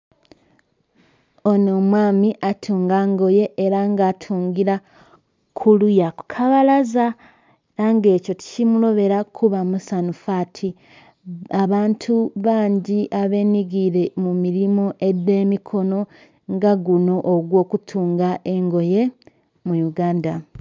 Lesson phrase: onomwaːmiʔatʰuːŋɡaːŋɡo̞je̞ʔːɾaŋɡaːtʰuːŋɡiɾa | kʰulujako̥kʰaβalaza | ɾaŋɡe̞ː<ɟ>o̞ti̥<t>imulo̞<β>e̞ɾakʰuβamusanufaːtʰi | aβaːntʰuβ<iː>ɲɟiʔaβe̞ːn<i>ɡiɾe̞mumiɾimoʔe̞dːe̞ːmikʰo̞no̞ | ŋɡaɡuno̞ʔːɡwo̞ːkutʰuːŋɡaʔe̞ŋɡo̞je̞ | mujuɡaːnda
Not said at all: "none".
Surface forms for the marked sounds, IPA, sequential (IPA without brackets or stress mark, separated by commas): c, c, β, aː, i